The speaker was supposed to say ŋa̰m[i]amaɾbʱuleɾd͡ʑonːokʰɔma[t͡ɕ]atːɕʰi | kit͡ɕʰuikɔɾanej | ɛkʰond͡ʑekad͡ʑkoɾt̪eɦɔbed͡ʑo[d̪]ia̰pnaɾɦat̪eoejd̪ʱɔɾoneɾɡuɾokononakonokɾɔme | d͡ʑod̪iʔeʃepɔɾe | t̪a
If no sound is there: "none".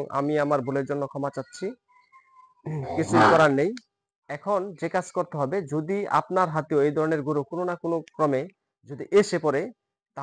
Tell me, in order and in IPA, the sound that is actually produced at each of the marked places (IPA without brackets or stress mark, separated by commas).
i, t͡ɕ, d̪